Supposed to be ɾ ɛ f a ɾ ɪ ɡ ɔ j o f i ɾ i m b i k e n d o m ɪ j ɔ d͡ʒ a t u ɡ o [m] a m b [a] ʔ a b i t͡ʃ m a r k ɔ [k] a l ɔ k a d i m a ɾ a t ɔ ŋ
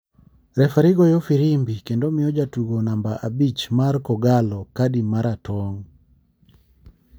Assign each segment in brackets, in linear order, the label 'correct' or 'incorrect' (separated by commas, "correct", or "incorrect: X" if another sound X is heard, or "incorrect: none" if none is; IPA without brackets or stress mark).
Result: incorrect: n, correct, incorrect: ɡ